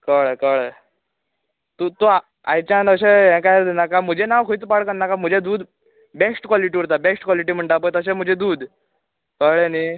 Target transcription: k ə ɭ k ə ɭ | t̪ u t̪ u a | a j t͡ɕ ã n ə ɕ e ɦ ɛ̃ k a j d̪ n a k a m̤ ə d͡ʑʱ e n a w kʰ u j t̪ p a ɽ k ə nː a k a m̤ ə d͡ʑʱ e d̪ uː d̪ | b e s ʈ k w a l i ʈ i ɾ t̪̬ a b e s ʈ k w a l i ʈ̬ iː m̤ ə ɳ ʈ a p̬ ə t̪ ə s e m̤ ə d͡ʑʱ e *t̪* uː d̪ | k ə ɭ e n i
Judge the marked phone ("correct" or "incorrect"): incorrect